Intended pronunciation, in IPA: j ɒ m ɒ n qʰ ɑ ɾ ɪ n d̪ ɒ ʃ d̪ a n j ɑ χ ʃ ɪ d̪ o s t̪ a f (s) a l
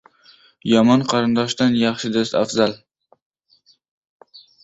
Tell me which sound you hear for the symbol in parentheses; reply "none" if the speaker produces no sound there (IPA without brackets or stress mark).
z